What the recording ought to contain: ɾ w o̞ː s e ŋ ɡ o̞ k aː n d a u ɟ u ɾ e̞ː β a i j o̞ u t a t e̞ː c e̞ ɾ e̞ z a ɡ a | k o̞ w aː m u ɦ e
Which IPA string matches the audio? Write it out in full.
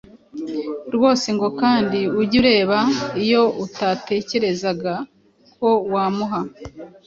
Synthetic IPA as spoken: ɾ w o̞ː s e ŋ ɡ o̞ k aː n d i u ɟ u ɾ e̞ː β a i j o̞ u t a t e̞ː c e̞ ɾ e̞ z a ɡ a | k o̞ w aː m u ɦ a